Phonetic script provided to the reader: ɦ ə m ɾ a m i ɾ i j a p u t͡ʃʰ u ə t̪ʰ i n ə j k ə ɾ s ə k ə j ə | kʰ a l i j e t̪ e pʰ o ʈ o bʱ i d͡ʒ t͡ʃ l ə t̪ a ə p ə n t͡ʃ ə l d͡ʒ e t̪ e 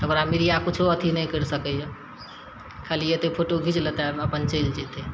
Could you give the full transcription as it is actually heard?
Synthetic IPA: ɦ ə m ɾ a m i ɾ i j a k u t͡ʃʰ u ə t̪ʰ i n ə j k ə ɾ s ə k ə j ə | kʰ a l i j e t̪ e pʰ o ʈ o ɡʱ i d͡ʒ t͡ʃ l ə t̪ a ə p ə n t͡ʃ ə l d͡ʒ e t̪ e